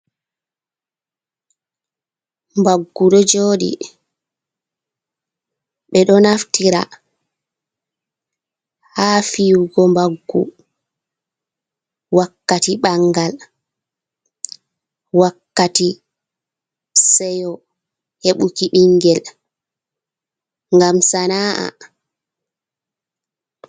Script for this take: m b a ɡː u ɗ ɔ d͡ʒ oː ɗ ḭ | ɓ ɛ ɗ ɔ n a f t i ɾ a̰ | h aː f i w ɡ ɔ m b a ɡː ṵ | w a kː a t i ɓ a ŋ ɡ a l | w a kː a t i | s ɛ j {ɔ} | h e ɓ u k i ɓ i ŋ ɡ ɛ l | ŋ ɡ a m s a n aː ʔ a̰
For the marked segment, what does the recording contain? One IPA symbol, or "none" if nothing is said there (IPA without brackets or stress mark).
ɔ